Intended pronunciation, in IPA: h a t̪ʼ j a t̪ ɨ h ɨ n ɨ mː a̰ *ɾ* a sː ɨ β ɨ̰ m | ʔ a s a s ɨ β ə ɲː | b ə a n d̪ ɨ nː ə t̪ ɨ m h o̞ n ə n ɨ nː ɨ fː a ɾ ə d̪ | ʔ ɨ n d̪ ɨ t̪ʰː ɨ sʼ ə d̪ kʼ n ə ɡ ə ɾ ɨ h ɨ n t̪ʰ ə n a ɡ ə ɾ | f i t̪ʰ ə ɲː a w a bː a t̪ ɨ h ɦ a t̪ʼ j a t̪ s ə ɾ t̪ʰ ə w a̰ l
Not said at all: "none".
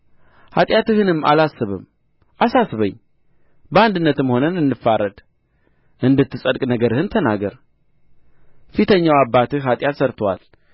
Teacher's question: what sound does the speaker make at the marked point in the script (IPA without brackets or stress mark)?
l